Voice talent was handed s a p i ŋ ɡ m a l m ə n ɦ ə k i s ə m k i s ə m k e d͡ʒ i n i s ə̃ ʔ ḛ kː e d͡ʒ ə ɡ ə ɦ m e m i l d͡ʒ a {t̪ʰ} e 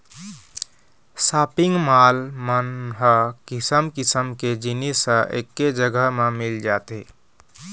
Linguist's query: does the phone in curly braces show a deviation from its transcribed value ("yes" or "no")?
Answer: yes